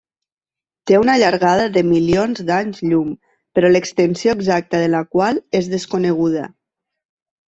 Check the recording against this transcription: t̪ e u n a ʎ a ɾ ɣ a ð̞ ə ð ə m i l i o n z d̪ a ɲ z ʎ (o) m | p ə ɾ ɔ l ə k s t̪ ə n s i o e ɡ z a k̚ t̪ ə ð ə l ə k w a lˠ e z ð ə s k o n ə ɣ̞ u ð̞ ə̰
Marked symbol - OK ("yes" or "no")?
no